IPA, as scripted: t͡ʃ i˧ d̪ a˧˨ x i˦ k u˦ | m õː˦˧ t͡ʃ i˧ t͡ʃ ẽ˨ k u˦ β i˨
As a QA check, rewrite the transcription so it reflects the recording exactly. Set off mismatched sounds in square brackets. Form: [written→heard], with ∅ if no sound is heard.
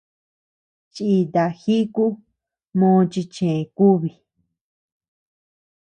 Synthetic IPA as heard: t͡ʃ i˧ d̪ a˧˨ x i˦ k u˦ | m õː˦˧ t͡ʃ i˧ t͡ʃ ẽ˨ k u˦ β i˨